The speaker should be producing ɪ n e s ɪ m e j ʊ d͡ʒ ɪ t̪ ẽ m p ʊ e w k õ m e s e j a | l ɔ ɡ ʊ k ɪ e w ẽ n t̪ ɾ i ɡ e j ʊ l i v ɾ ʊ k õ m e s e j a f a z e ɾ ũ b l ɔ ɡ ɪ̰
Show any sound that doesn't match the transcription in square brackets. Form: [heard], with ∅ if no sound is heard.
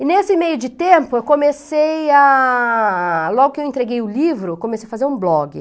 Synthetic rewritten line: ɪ n e s ɪ m e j ʊ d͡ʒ ɪ t̪ ẽ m p ʊ e w k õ m e s e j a | l ɔ ɡ ʊ k ɪ e w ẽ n t̪ ɾ [e] ɡ e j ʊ l i v ɾ ʊ k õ m e s e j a f a z e ɾ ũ b l ɔ ɡ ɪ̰